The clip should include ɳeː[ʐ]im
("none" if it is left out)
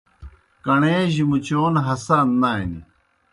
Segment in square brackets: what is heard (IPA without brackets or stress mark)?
ʑ